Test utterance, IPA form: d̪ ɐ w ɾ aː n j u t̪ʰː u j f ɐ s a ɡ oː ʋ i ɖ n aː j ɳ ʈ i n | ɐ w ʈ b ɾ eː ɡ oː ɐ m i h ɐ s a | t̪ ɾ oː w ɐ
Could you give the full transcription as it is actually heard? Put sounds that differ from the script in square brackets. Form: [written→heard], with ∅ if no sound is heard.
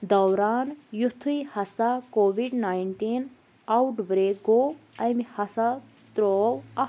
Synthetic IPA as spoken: d̪ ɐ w ɾ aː n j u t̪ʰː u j [f→h] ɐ s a [ɡ→k] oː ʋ i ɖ n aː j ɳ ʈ i n | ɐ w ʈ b ɾ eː ɡ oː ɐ m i h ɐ s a | t̪ ɾ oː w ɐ